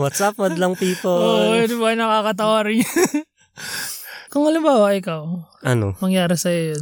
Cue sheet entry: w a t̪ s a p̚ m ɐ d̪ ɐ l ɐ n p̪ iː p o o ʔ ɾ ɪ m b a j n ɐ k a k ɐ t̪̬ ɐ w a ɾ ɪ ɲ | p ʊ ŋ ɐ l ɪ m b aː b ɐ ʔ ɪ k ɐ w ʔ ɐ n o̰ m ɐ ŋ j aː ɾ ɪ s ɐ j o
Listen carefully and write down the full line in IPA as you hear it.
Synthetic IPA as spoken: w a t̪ s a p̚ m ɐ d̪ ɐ l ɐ ŋ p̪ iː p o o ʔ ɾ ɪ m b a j n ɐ k a k ɐ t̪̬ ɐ w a ɾ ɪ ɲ | k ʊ ŋ ɐ l ɪ m b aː w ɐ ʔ ɪ k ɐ w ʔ ɐ n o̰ m ɐ ŋ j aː ɾ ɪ s ɐ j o